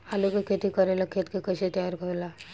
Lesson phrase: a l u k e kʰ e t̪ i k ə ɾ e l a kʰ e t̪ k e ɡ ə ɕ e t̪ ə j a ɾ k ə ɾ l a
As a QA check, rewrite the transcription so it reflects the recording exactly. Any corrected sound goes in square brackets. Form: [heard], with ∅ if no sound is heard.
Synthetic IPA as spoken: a l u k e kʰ e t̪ i k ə ɾ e l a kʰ e t̪ k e [k] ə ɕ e t̪ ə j a ɾ k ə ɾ l a